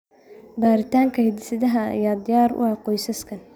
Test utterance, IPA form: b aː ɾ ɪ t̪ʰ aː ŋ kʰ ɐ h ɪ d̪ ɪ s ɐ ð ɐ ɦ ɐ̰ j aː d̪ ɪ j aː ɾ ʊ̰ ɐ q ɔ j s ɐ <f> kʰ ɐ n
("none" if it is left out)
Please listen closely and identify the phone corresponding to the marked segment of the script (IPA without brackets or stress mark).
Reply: s